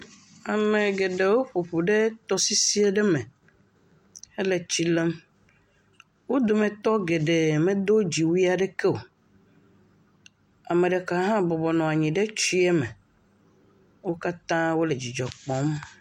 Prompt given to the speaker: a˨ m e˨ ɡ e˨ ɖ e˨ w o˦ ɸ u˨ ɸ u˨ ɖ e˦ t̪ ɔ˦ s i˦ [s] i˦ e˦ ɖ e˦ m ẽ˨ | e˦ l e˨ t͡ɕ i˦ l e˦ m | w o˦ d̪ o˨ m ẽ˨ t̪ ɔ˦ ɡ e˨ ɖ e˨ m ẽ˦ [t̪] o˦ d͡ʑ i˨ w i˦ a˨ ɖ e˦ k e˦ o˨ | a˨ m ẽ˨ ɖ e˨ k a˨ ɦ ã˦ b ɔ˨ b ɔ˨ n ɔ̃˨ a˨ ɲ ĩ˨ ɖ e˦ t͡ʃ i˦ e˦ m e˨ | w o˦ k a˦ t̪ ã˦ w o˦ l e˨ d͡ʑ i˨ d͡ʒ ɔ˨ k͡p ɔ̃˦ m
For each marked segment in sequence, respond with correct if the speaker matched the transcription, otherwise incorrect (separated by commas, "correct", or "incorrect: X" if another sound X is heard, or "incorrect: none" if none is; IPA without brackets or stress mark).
correct, incorrect: d̪